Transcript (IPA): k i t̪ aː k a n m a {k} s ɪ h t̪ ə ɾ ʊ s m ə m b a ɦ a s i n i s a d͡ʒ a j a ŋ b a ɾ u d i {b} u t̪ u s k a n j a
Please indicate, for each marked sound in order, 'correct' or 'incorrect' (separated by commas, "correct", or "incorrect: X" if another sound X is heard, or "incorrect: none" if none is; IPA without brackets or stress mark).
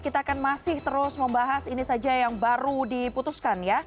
incorrect: none, incorrect: p